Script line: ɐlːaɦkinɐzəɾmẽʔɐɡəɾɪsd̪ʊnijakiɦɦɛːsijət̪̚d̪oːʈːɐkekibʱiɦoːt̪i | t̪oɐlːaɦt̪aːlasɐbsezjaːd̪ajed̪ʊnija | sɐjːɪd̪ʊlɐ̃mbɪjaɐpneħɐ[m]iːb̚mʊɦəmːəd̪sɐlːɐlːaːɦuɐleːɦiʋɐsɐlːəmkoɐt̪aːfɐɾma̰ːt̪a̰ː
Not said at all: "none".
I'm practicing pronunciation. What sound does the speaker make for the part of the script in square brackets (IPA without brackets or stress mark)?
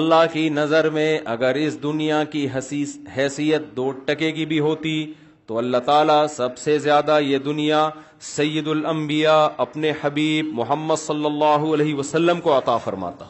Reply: b